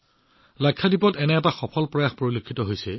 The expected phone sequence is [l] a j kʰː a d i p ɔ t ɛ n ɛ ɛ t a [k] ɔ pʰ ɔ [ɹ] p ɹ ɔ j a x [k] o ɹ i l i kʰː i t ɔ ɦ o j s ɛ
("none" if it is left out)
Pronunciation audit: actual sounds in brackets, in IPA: l, x, l, p

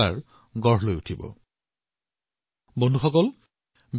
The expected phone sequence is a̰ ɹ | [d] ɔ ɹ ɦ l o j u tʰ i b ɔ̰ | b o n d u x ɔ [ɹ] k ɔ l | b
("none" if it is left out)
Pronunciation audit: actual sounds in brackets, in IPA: ɡ, none

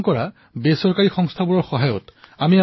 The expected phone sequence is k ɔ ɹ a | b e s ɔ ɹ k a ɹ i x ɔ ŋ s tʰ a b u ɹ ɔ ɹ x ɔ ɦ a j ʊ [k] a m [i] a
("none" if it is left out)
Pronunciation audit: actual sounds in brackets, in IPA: t, i

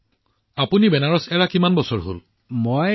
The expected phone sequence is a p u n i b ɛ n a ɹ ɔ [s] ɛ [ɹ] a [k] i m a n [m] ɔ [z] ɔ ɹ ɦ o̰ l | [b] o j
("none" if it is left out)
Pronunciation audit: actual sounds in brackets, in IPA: s, ɹ, k, b, s, m

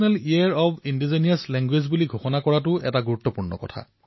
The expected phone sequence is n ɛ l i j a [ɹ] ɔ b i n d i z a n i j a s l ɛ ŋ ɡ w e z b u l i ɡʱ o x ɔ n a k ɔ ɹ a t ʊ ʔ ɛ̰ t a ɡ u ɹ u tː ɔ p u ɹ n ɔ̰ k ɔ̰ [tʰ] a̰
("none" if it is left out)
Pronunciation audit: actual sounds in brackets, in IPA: ɹ, tʰ

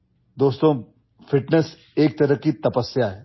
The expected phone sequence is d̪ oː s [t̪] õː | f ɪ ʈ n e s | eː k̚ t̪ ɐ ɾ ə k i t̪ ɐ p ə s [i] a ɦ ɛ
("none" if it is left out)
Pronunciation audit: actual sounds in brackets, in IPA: t̪, j

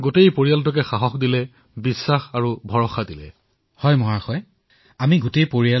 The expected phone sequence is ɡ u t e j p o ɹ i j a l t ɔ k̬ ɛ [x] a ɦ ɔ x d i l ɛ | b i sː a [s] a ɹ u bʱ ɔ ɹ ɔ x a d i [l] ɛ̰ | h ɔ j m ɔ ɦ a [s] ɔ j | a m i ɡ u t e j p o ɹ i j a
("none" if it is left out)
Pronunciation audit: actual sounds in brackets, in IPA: x, x, l, x

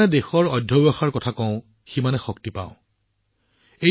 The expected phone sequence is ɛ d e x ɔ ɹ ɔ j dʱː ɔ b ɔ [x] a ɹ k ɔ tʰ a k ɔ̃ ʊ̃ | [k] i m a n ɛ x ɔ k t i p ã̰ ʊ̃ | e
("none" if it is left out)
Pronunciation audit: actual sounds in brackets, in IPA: x, x

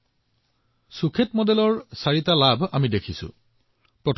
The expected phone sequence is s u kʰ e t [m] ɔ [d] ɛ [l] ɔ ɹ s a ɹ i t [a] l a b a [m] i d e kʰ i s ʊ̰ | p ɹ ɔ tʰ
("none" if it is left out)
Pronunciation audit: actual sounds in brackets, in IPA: m, d, l, a, m

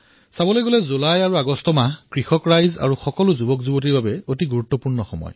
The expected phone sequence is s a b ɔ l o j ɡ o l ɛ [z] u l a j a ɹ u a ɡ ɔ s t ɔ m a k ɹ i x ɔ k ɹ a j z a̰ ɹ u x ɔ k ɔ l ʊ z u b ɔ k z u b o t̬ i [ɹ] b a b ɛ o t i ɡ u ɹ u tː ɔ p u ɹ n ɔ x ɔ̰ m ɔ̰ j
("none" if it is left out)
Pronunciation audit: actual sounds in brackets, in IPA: z, ɹ

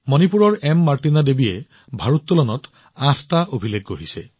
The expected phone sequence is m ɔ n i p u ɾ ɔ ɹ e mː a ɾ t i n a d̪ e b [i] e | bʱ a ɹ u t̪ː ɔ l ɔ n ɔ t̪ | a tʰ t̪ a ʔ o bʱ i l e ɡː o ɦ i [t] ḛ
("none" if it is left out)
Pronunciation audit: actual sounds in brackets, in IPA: i, s

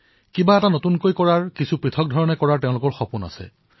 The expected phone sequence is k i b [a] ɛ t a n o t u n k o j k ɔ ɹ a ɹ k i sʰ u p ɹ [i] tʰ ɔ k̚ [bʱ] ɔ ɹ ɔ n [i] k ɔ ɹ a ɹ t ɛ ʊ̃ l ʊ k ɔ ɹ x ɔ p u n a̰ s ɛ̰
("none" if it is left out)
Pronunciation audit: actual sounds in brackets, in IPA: a, i, dʱ, ɛ

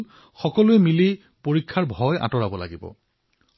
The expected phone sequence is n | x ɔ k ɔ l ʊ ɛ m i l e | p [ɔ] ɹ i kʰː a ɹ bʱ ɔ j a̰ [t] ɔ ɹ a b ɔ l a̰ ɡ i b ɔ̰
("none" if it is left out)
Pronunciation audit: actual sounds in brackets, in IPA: o, t

